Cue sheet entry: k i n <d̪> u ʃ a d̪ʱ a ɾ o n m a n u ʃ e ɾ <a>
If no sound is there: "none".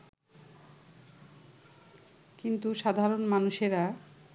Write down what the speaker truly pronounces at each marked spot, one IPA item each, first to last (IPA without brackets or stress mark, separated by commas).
t̪, a